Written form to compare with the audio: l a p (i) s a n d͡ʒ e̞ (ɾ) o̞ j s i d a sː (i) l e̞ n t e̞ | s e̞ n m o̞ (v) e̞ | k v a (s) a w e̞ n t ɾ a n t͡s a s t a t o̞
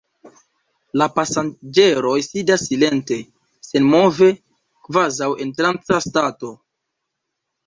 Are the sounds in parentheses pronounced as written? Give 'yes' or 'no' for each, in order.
no, yes, yes, yes, no

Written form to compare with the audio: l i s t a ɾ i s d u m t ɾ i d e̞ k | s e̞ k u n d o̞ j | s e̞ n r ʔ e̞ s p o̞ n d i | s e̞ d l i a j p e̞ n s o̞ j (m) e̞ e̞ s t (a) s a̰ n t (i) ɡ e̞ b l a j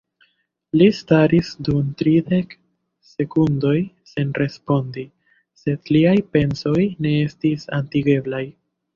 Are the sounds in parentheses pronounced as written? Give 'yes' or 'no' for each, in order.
no, no, yes

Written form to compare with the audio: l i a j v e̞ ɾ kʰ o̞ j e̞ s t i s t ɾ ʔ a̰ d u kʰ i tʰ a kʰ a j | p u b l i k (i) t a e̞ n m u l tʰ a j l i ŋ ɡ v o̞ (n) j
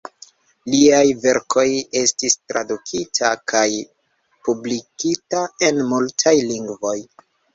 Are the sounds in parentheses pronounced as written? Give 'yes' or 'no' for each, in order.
yes, no

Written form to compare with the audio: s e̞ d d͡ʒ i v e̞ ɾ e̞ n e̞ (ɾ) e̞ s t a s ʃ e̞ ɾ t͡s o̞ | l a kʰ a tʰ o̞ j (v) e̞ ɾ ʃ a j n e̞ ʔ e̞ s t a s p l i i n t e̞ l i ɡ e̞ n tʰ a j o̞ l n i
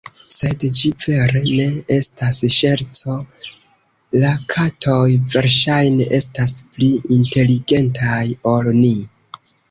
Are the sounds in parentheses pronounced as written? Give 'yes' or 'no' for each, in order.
no, yes

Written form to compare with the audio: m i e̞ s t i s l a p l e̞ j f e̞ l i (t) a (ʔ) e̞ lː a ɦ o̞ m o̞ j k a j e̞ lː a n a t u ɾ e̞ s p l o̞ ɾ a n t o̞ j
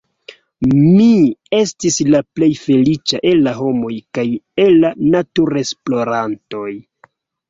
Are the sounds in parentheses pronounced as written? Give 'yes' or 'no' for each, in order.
no, yes

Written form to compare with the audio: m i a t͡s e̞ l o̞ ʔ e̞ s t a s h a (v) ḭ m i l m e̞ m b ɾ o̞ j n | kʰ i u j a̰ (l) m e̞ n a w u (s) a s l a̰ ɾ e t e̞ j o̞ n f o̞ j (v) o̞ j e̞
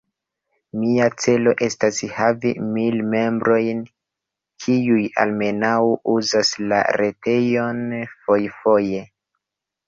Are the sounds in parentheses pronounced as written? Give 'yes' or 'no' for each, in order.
yes, yes, no, no

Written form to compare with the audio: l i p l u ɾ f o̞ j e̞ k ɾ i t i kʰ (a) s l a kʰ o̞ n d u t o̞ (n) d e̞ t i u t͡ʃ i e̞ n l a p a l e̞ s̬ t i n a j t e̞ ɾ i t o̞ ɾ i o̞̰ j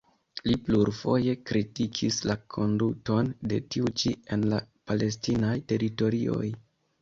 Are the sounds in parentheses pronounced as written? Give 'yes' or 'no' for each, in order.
no, yes

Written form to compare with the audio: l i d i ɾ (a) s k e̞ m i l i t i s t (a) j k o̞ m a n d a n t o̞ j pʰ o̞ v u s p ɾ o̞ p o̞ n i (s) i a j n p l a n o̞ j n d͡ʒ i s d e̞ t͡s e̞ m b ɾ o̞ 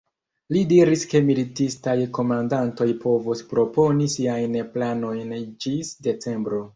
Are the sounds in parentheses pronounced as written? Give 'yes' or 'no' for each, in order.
no, yes, yes

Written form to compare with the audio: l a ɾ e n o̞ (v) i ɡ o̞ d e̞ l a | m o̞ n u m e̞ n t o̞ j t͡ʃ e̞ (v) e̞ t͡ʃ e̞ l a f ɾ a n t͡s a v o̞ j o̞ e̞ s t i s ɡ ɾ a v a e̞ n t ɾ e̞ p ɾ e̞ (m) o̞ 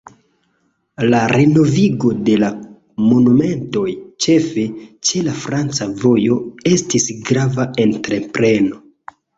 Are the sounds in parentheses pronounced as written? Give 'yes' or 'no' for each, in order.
yes, no, no

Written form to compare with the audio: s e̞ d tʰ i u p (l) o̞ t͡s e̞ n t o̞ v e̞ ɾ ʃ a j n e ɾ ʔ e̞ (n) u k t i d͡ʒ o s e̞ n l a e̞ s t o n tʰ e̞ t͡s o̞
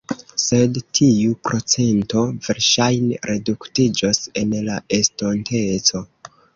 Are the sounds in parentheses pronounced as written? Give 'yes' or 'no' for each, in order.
no, no

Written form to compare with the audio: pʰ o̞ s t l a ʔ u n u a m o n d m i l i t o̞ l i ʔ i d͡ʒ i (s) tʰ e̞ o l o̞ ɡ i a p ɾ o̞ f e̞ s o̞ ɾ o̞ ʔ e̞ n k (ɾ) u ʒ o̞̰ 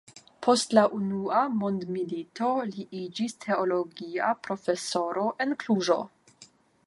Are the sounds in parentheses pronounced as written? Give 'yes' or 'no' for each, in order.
yes, no

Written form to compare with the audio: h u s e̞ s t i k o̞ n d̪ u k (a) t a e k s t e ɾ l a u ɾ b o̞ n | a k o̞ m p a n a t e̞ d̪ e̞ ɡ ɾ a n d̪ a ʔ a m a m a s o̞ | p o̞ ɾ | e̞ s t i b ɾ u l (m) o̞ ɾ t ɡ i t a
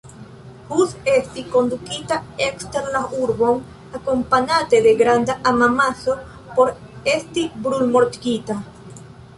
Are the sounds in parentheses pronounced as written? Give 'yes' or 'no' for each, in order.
no, yes

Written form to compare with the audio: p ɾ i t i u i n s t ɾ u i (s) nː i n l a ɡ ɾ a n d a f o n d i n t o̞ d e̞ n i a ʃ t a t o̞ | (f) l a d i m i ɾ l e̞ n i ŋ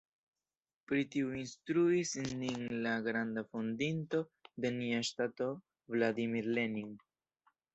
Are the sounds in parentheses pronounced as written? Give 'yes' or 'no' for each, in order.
yes, no

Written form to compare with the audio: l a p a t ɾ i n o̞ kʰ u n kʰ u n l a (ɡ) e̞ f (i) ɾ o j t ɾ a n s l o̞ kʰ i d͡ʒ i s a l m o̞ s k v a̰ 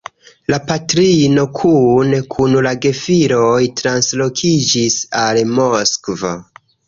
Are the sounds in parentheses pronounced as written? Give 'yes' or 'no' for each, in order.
yes, yes

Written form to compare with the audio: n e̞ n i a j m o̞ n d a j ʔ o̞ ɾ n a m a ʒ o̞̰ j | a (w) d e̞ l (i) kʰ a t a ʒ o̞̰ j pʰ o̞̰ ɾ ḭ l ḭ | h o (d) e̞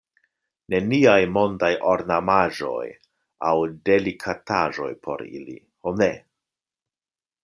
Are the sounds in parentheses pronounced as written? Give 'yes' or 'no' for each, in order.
yes, yes, no

